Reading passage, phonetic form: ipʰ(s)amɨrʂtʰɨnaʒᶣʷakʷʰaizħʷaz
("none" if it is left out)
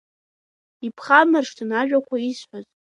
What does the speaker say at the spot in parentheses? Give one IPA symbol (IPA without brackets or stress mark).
χ